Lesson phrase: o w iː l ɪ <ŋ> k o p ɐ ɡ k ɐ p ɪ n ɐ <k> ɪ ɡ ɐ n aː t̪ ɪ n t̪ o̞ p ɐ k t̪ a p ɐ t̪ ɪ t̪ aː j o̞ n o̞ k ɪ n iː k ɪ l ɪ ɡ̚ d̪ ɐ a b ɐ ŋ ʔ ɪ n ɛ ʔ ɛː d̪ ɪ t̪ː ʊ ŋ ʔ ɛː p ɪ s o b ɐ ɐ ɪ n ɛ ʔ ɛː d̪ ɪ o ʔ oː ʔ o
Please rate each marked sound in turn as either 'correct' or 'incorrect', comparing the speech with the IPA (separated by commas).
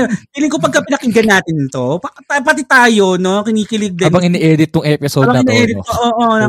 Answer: correct, correct